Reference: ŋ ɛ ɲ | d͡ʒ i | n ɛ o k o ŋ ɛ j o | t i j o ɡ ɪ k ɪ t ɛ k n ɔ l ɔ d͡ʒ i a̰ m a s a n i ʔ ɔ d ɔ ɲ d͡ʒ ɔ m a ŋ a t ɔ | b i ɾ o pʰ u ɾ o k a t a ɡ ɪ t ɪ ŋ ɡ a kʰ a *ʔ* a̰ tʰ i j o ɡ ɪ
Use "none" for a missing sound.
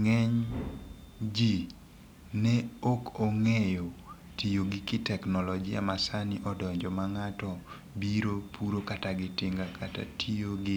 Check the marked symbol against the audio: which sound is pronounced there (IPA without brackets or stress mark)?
t